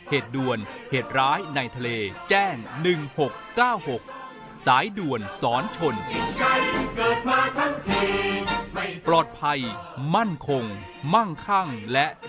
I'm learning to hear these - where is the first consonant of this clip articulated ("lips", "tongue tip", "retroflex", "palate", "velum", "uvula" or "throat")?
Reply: throat